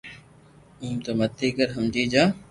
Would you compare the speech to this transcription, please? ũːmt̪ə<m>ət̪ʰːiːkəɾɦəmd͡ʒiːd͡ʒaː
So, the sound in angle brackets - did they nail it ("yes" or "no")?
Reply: yes